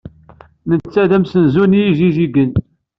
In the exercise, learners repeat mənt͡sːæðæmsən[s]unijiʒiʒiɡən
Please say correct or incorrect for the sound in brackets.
incorrect